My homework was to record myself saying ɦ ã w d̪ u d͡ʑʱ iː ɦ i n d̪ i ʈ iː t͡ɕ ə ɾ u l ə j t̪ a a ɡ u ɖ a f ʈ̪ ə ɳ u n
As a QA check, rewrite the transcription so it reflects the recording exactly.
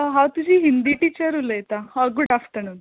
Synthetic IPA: ɦ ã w t̪ u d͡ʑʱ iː ɦ i n d̪ i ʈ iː t͡ɕ ə ɾ u l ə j t̪ a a ɡ u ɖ a f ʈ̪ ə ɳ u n